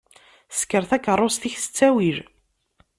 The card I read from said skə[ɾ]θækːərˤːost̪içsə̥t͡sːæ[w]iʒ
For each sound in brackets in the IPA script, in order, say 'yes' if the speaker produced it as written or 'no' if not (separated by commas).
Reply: yes, yes